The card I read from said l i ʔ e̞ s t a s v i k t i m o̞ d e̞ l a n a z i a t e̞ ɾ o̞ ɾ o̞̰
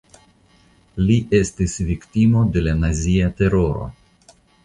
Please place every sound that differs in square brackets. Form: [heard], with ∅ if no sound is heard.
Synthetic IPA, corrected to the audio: l i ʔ e̞ s t [i] s v i k t i m o̞ d e̞ l a n a z i a t e̞ ɾ o̞ ɾ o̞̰